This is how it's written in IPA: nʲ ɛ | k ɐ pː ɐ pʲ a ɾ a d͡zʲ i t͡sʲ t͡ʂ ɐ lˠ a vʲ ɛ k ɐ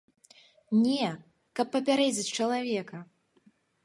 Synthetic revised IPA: nʲ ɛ | k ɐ pː ɐ pʲ a ɾ ɛ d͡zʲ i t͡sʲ t͡ʂ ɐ lˠ a vʲ ɛ k ɐ

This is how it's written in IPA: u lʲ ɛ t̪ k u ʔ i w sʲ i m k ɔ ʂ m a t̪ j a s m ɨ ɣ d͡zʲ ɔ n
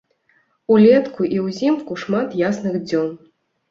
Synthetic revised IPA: u lʲ ɛ t̪ k u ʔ i w zʲ i m k u ʂ m a t̪ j a s n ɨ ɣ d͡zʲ ɔ n

